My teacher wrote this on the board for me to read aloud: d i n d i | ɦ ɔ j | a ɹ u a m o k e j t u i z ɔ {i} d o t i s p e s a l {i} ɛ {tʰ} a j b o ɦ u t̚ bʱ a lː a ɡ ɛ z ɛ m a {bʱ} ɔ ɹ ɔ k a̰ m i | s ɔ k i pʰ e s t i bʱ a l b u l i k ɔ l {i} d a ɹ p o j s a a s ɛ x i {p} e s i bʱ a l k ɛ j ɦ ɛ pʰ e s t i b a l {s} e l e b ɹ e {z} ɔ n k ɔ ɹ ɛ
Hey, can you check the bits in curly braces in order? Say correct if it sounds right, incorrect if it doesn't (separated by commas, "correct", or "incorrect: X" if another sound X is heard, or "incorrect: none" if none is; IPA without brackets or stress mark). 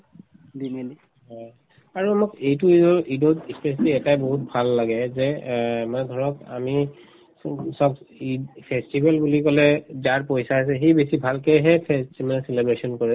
correct, correct, incorrect: t, incorrect: dʱ, incorrect: ɛ, incorrect: b, correct, incorrect: s